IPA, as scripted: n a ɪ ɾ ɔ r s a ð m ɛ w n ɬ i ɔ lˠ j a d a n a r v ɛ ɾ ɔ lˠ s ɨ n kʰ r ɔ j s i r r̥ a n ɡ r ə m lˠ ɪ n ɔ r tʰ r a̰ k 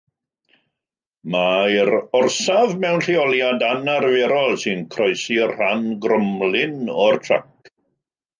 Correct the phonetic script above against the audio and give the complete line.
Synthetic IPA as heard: m a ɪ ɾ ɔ r s a v m ɛ w n ɬ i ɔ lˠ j a d a n a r v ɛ ɾ ɔ lˠ s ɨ n kʰ r ɔ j s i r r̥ a n ɡ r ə m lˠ ɪ n ɔ r tʰ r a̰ k